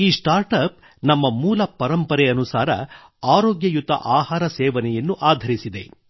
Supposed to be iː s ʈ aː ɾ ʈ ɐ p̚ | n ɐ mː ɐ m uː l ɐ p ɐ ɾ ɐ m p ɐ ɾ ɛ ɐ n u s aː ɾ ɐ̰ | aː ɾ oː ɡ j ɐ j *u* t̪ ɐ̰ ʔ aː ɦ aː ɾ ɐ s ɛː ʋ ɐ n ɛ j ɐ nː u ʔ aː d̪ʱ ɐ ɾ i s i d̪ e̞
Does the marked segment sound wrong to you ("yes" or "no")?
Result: no